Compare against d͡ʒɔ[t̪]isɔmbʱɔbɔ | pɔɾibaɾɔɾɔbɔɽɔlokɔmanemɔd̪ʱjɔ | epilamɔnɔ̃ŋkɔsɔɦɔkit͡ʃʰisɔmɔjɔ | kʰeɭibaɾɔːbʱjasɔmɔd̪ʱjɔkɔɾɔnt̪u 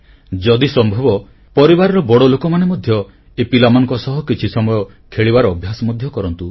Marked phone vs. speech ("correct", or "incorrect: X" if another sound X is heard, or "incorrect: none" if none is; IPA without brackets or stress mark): incorrect: d̪